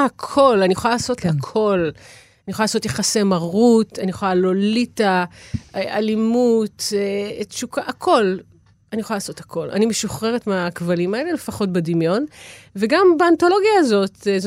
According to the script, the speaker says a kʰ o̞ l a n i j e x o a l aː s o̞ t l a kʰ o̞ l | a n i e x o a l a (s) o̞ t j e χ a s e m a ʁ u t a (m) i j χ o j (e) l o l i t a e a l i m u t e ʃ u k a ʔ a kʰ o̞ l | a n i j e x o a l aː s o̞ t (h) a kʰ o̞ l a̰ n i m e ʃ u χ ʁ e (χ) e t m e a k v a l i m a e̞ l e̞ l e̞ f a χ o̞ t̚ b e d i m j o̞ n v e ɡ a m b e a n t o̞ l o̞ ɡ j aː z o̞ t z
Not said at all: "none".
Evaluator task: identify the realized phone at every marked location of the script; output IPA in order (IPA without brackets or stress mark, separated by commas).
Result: s, n, a, h, ʁ